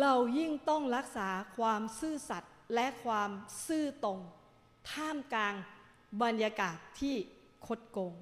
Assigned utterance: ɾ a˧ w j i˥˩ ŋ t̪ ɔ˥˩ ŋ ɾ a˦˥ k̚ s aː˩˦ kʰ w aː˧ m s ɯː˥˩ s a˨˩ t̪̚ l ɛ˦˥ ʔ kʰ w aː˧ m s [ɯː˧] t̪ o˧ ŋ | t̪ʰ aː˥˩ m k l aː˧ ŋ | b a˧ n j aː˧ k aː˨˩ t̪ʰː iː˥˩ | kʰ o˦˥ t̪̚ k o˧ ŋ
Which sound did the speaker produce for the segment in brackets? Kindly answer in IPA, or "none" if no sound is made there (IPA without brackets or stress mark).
ɯː˥˩